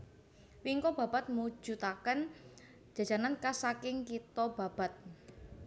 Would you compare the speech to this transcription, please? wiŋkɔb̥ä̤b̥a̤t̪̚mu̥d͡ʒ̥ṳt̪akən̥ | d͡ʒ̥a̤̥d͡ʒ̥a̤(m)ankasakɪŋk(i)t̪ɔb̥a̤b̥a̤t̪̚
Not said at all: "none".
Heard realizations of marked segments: n, i

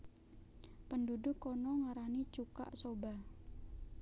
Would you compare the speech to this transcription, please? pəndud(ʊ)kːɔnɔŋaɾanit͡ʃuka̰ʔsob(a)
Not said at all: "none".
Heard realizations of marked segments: ʊ, a

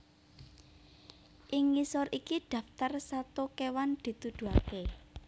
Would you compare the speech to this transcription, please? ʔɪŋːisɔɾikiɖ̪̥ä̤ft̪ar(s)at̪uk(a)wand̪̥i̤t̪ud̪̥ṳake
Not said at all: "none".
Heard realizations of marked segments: s, e

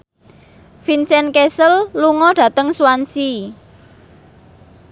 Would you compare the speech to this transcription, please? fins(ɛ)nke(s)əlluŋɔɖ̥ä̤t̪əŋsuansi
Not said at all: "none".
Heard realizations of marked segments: ɛ, s

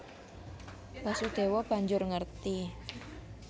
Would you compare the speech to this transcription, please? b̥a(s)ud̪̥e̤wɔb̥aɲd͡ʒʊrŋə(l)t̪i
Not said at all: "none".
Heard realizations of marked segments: s, r

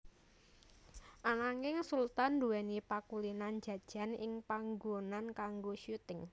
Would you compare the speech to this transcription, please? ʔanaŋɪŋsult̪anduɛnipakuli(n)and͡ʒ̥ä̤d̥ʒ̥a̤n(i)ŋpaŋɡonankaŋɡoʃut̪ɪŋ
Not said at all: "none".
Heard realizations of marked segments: n, ɪ

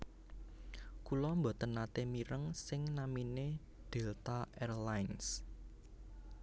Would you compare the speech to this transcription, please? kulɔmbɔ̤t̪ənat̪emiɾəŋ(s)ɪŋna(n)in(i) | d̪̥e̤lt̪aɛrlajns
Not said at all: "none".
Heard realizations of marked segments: s, m, e

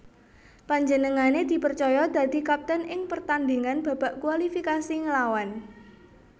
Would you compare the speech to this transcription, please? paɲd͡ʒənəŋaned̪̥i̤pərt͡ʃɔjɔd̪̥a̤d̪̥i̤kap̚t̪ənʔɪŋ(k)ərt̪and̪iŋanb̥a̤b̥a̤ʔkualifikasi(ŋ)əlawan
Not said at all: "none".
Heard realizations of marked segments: p, ŋ

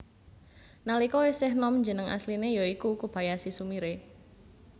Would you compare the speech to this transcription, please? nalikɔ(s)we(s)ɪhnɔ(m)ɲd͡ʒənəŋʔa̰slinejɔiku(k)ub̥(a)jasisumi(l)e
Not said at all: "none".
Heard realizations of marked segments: none, s, m, k, a, ɾ

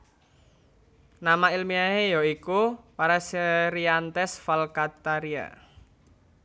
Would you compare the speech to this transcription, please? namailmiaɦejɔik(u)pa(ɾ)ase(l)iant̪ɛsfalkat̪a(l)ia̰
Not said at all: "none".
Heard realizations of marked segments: u, ɾ, ɾ, ɾ

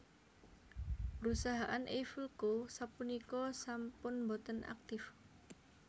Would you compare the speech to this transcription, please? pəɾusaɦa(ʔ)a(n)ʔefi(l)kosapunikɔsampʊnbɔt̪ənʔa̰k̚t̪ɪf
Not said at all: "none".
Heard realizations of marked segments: ʔ, n, l

